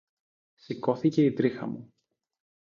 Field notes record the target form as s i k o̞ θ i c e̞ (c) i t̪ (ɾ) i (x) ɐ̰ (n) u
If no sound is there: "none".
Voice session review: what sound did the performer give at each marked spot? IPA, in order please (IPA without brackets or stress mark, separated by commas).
none, ɾ, x, m